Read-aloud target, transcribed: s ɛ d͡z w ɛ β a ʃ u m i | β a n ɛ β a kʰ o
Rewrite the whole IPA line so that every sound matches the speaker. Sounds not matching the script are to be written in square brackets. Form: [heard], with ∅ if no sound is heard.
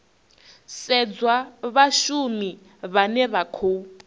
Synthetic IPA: s ɛ d͡z w [a] β a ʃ u m i | β a n ɛ β a kʰ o